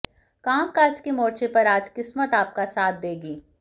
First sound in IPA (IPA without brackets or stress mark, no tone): k